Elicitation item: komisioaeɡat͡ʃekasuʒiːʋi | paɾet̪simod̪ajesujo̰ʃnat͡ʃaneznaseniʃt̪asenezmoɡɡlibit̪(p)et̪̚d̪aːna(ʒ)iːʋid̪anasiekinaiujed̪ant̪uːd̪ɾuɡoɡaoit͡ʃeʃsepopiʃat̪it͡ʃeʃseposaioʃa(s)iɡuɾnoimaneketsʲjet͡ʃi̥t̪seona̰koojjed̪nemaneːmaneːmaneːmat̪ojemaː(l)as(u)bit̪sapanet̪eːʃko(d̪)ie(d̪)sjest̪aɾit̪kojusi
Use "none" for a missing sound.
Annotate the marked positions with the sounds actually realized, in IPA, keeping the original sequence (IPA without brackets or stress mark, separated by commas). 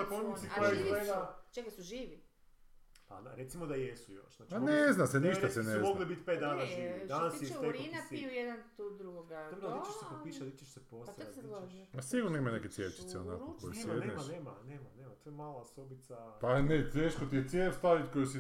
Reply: p, ʒ, s, l, o, t̪, t̪